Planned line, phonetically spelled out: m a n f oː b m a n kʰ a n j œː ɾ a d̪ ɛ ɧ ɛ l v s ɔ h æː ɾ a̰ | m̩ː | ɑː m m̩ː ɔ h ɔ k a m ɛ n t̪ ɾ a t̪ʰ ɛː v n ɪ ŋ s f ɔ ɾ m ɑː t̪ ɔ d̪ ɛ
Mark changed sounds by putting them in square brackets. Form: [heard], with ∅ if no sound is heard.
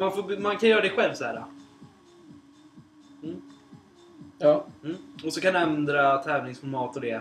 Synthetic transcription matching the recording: m a n f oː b m a n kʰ a n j œː ɾ a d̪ ɛ ɧ ɛ l v s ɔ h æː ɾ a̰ | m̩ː | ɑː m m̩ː ɔ [s] ɔ k a [n] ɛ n [d̪] ɾ a t̪ʰ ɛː v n ɪ ŋ s f ɔ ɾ m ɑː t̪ ɔ d̪ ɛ